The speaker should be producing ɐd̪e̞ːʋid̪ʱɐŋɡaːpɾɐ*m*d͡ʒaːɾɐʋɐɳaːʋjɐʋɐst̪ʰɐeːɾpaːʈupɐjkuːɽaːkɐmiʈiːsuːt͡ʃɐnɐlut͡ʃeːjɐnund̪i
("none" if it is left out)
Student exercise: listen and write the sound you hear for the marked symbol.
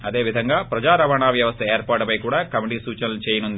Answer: none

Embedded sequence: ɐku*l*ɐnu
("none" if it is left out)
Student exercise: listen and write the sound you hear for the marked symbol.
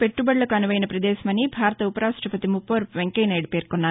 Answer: none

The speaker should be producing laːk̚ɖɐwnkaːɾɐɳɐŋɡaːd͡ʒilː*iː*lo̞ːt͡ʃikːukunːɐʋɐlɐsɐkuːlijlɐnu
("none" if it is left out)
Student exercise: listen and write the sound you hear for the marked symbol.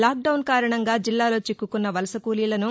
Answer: aː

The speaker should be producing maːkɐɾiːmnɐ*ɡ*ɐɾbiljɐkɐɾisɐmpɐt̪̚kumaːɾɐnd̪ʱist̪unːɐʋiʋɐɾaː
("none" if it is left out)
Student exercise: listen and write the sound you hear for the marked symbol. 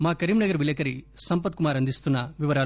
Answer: ɡ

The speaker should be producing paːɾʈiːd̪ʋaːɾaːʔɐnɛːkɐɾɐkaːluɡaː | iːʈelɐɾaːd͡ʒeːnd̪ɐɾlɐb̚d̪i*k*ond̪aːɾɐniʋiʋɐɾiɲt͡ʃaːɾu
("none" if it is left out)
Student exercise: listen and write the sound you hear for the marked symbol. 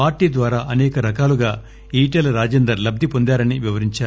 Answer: p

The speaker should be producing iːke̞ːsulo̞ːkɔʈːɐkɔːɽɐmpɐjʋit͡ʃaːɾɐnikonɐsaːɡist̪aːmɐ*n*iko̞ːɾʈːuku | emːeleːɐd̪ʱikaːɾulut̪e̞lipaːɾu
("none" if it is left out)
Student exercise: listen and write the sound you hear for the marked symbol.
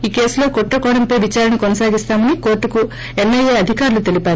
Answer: n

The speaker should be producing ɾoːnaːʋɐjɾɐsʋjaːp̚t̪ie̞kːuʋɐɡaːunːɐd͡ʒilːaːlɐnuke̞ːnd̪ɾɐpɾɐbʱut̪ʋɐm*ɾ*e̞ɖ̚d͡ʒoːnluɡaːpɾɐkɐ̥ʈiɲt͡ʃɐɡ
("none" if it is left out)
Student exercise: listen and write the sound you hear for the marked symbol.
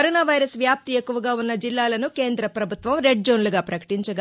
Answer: ɾ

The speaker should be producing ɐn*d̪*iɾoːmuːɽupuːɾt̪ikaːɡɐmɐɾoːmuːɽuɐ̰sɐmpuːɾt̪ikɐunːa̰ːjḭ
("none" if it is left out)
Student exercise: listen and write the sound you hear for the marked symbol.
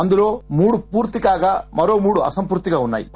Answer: d̪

